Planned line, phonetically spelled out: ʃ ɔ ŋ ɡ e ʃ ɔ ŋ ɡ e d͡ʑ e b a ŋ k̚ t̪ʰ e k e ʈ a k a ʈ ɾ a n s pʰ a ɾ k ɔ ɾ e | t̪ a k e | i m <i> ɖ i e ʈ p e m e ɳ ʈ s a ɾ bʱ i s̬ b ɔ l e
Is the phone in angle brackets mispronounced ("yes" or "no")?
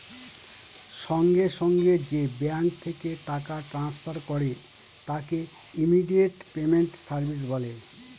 no